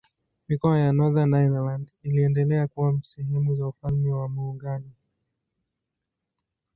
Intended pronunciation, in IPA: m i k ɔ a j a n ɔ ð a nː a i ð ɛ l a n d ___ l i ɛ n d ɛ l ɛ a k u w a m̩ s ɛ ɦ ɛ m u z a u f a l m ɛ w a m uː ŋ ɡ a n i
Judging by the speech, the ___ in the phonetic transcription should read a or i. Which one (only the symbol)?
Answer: i